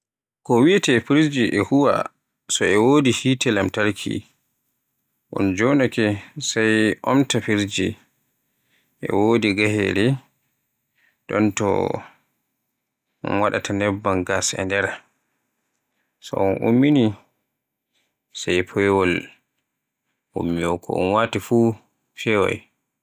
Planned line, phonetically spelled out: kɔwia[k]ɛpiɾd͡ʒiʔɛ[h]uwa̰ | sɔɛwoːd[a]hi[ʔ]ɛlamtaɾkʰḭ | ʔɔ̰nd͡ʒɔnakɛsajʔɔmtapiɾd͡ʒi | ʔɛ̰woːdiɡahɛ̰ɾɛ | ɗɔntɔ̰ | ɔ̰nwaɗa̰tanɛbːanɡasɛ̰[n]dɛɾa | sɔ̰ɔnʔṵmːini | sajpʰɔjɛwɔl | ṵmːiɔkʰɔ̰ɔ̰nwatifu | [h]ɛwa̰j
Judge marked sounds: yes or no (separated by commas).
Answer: no, yes, no, no, yes, no